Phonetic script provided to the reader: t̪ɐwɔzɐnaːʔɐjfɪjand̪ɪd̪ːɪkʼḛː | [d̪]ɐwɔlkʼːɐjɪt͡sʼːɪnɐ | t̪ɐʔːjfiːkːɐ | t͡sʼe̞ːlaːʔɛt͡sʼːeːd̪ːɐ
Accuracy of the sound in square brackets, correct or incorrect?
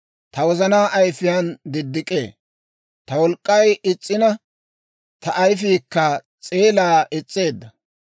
incorrect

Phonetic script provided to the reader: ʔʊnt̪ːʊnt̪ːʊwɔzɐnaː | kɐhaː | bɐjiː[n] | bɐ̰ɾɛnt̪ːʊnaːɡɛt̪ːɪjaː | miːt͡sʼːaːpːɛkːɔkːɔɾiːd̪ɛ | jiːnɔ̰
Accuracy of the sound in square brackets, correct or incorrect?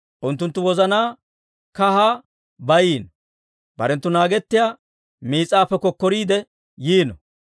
correct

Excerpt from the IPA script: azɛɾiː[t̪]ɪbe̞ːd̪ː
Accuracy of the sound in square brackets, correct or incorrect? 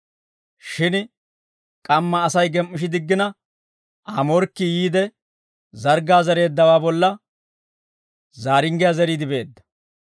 incorrect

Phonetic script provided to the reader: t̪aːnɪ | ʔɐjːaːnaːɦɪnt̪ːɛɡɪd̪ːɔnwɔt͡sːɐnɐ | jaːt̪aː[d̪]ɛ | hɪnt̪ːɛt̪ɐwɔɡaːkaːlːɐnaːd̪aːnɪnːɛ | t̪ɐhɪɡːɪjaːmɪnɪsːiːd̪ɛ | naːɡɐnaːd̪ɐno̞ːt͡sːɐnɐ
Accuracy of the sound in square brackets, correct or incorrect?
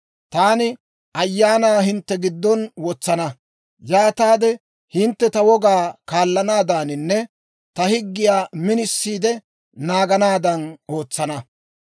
correct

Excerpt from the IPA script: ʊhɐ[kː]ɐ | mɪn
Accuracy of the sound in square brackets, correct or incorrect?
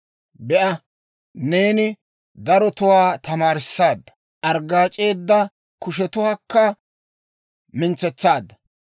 correct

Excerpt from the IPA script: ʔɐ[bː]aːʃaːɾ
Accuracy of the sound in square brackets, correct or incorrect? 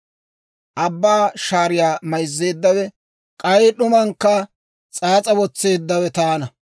correct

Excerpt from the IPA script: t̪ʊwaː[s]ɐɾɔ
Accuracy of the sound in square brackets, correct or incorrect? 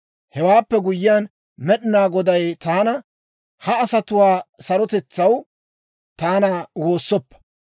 correct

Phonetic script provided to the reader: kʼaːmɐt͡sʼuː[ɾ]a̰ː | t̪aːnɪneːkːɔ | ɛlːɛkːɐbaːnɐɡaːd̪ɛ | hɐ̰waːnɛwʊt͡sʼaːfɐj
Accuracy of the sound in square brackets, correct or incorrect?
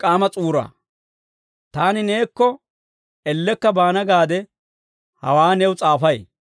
correct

